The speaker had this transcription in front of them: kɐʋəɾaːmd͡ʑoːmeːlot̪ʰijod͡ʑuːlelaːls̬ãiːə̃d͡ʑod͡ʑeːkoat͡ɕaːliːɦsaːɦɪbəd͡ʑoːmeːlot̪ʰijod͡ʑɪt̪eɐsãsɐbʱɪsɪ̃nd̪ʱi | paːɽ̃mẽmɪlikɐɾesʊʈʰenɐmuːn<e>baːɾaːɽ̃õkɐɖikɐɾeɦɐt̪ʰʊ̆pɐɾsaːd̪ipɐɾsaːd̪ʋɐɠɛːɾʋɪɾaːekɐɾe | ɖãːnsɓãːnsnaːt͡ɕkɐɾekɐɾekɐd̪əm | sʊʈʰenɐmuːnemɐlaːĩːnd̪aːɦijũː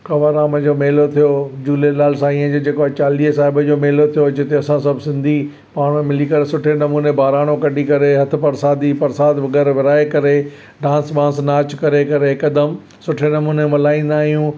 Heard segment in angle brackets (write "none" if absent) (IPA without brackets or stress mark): e